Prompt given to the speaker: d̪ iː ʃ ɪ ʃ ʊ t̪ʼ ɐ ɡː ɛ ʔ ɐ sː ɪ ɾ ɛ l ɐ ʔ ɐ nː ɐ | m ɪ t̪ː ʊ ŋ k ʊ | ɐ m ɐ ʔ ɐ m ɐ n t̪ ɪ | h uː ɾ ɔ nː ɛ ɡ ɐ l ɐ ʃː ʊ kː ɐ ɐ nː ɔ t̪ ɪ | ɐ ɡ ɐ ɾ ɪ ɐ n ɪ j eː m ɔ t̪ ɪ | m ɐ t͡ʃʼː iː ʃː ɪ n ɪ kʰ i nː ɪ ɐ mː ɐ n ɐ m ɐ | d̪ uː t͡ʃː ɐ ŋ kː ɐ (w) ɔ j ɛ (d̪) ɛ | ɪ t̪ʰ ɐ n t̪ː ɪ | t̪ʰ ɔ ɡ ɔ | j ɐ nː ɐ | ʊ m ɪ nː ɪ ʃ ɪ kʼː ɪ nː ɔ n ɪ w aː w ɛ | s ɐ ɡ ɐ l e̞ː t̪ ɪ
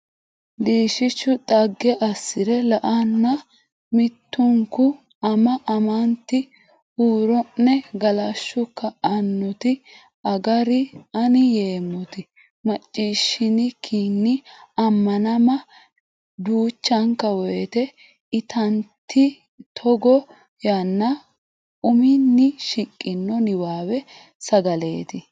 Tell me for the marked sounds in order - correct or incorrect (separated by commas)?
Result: correct, incorrect